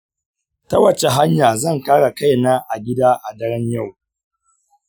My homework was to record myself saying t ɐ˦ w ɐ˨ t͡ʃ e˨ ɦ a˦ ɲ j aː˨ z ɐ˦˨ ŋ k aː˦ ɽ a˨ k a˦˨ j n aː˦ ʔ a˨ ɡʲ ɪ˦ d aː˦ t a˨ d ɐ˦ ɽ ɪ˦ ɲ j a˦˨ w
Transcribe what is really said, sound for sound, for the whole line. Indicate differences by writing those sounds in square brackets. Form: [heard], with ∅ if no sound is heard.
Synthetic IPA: t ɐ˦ w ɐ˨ t͡ʃ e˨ ɦ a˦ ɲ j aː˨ z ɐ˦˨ ŋ k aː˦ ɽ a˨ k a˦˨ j n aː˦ ʔ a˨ ɡʲ ɪ˦ d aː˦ [ʔ] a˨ d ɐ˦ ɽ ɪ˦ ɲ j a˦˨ w